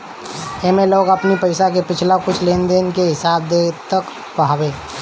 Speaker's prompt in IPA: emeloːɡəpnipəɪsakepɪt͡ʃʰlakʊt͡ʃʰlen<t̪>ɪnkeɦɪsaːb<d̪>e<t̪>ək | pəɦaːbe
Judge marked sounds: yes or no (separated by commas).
no, yes, yes